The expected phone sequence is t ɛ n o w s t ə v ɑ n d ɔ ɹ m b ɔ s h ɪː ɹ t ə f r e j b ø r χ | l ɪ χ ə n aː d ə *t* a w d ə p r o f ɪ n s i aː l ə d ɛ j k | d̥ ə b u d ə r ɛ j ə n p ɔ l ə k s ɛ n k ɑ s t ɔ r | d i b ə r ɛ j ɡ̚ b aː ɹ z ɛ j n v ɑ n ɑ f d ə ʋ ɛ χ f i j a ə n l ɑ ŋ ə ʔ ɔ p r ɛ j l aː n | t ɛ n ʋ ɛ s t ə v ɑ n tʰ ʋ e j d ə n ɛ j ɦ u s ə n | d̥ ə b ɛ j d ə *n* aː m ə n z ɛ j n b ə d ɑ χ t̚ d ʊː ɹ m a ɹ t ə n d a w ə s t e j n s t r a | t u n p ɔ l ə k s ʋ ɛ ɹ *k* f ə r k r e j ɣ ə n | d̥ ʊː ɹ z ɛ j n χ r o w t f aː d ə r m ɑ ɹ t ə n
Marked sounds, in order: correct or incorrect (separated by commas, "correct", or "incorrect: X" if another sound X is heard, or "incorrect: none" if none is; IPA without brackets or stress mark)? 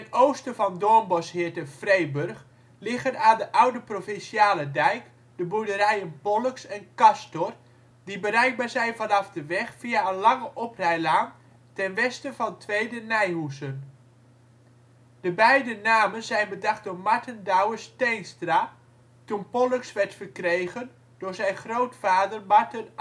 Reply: incorrect: ʔ, correct, incorrect: t